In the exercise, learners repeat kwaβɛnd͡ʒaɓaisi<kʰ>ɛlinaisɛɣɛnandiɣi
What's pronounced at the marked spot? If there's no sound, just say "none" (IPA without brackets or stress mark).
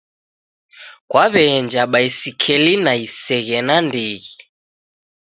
kʰ